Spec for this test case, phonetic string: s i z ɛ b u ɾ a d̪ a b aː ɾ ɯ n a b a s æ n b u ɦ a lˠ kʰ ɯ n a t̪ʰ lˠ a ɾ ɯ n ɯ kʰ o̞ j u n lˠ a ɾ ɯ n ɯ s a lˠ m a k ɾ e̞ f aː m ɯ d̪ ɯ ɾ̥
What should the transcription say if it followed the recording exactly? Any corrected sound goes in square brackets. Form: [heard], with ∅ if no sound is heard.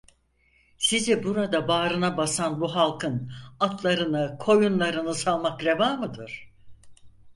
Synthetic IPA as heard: s i z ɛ b u ɾ a d̪ a b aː ɾ ɯ n a b a s [a] n b u ɦ a lˠ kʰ ɯ n a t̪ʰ lˠ a ɾ ɯ n ɯ kʰ o̞ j u n lˠ a ɾ ɯ n ɯ s a lˠ m a k ɾ e̞ [v] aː m ɯ d̪ ɯ ɾ̥